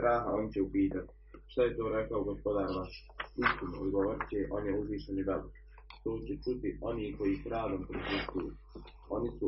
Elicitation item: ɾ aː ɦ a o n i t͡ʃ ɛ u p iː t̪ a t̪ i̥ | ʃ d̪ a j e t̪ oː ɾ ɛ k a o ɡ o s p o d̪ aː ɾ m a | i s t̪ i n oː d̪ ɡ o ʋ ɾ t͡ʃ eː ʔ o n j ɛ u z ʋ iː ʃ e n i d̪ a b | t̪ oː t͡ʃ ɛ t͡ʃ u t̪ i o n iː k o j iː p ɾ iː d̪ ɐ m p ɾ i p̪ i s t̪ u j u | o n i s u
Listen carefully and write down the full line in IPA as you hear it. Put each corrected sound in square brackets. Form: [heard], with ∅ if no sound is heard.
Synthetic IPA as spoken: ɾ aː ɦ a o n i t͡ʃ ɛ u p iː t̪ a t̪ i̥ | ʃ [t̪] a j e t̪ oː ɾ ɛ k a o ɡ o s p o d̪ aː ɾ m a | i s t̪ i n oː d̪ ɡ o ʋ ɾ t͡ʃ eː ʔ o n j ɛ u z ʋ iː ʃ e n i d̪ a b | t̪ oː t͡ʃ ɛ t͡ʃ u t̪ i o n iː k o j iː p ɾ [aː] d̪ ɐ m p ɾ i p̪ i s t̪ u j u | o n i s u